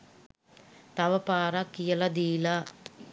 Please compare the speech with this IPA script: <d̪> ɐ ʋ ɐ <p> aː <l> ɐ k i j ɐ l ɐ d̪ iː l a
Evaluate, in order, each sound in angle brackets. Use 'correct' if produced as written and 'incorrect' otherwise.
incorrect, correct, incorrect

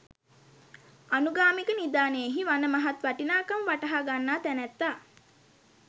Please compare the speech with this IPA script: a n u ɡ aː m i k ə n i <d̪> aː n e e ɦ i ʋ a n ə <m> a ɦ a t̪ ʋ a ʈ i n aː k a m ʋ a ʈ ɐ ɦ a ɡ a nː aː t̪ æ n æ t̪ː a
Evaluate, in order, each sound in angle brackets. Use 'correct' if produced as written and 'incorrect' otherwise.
correct, correct

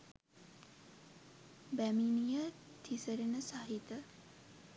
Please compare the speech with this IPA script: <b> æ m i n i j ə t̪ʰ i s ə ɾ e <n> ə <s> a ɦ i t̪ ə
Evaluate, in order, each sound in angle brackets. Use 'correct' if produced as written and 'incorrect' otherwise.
correct, correct, correct

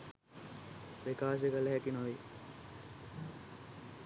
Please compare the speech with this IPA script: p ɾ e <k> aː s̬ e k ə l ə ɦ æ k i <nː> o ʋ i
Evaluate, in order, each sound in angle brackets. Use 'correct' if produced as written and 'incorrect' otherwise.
correct, incorrect

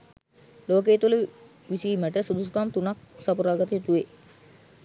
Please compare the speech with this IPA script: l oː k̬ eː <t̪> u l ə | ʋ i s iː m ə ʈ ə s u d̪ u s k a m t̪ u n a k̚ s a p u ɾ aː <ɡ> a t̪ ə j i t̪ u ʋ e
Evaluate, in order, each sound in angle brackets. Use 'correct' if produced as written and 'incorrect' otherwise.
correct, correct

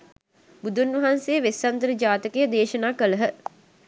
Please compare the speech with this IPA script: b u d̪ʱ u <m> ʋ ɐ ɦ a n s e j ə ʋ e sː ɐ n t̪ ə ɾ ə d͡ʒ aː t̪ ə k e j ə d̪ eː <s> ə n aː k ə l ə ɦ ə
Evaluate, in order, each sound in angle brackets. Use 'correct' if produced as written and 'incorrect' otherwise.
incorrect, incorrect

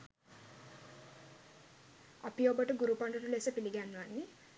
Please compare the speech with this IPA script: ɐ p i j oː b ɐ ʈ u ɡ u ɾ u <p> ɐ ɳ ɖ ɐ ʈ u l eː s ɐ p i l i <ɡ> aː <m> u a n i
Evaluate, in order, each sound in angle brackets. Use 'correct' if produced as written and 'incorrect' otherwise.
correct, correct, incorrect

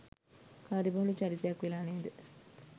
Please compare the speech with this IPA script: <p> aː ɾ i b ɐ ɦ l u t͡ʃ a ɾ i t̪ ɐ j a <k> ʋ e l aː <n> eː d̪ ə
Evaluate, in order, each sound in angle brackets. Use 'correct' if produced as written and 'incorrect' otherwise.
incorrect, correct, correct

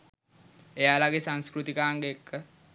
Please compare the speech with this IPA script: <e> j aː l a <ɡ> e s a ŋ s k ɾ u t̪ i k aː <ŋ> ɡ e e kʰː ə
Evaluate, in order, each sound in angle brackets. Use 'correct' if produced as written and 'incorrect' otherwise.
correct, correct, correct

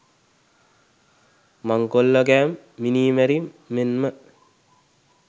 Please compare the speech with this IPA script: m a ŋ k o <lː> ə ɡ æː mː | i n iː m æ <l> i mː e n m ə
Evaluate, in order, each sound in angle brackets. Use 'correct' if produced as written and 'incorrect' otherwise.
correct, incorrect

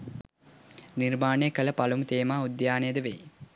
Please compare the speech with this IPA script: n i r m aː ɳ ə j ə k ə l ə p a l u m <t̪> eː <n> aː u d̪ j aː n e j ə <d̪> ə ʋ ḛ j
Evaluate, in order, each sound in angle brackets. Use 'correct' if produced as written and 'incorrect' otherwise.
correct, incorrect, correct

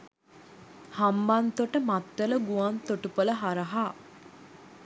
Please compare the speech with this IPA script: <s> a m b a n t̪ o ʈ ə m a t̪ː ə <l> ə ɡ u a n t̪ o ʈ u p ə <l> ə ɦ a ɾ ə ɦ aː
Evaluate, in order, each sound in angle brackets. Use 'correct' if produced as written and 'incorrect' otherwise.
incorrect, correct, correct

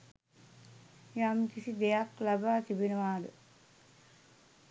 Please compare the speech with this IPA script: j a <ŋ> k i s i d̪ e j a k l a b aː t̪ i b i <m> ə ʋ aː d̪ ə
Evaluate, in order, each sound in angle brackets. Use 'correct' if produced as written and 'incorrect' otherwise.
incorrect, incorrect

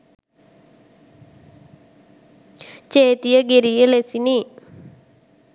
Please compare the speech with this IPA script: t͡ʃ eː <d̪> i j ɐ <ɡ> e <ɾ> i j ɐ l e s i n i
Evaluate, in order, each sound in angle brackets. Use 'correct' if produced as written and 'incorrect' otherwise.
incorrect, correct, correct

